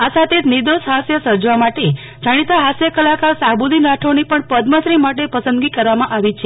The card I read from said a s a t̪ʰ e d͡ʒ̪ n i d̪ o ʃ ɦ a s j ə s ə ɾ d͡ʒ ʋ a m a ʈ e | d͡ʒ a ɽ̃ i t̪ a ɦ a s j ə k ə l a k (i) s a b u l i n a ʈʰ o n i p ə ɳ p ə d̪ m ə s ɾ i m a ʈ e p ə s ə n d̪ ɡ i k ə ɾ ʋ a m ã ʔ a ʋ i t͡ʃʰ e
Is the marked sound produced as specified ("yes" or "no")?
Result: no